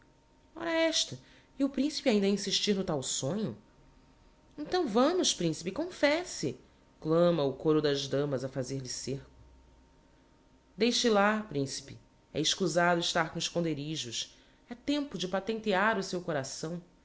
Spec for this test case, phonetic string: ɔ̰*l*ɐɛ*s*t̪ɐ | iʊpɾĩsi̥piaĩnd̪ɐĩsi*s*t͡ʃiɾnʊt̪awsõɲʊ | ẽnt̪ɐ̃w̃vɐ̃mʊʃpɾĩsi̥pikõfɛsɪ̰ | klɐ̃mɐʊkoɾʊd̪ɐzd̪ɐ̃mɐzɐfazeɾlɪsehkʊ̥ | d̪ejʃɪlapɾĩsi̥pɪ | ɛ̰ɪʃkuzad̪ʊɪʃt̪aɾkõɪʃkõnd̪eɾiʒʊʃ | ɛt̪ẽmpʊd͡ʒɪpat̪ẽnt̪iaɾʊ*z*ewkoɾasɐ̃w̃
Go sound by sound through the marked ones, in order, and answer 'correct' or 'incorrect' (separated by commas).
incorrect, incorrect, incorrect, incorrect